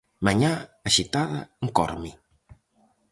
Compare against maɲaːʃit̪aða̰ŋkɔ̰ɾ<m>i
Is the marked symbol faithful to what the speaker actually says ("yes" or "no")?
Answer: yes